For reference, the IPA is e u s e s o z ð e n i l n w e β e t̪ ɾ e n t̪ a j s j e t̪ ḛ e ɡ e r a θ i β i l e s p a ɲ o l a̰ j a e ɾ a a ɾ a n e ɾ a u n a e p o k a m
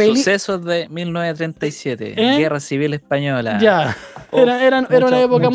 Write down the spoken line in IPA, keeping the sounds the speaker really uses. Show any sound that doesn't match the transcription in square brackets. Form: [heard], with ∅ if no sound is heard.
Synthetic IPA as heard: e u s e s o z ð e [m] i l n w e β e t̪ ɾ e n t̪ a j s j e t̪ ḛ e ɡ e r a [s] i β i l e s p a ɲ o l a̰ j a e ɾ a [e] ɾ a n e ɾ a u n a e p o k a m